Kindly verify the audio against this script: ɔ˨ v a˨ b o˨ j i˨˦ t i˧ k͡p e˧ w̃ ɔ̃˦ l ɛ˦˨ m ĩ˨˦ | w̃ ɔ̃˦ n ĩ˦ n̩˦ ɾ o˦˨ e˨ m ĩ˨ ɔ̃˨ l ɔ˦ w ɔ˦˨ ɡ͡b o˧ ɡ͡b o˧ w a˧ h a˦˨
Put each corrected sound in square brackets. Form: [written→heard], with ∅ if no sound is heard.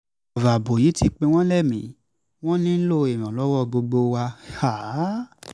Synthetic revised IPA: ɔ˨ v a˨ b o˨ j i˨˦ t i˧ k͡p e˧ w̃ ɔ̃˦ l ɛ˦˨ m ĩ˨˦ | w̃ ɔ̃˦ n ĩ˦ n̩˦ [ɾ→l] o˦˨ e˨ m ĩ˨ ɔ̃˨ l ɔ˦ w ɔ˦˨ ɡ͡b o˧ ɡ͡b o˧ w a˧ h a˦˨